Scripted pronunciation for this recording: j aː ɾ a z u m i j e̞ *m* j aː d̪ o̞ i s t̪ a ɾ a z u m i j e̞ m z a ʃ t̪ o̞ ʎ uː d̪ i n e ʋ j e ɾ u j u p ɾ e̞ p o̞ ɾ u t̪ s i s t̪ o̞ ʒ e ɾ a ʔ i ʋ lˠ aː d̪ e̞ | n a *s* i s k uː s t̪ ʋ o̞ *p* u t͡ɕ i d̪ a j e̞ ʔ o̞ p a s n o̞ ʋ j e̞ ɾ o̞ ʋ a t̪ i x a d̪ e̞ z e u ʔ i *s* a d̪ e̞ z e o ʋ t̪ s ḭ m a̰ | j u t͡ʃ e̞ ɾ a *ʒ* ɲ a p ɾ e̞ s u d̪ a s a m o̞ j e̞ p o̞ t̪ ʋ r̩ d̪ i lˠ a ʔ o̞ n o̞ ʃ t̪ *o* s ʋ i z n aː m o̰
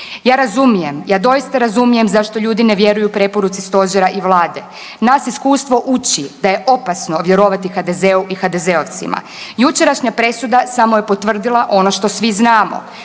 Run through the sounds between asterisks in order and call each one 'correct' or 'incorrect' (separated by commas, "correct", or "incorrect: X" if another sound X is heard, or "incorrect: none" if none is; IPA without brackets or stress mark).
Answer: correct, correct, incorrect: ʔ, incorrect: x, incorrect: ʃ, correct